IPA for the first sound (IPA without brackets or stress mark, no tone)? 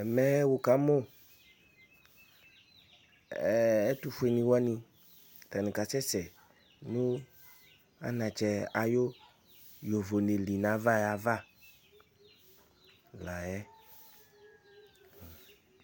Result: m